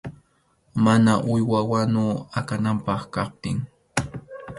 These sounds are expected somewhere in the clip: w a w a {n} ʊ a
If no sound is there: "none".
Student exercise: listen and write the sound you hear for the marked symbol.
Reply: n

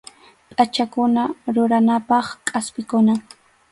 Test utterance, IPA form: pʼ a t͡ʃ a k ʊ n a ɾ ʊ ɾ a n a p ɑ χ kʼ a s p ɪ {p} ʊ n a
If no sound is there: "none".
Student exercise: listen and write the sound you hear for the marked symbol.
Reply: k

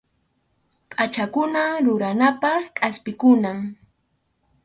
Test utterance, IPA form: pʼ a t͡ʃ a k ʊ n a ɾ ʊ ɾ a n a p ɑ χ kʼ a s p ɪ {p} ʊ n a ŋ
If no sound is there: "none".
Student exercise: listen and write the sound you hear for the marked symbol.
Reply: k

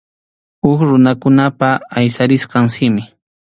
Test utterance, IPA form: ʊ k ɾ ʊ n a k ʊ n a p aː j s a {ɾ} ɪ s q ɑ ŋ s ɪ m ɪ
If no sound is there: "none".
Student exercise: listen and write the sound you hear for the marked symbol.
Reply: ɾ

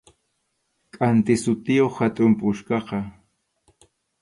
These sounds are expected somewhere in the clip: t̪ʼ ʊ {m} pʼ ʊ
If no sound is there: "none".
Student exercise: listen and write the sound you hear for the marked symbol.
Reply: m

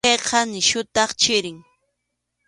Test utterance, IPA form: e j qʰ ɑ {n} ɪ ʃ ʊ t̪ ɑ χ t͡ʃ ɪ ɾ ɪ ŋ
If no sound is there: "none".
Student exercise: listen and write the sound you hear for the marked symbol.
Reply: n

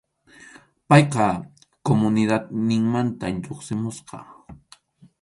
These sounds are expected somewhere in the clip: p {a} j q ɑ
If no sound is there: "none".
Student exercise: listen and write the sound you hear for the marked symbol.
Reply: ɑ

